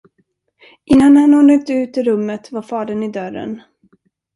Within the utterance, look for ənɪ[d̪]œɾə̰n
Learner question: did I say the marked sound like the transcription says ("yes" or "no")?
yes